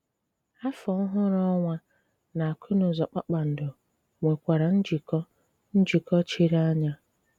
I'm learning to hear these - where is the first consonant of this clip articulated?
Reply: lips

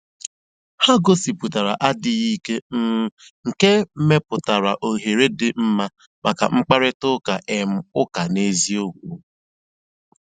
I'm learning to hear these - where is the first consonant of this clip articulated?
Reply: throat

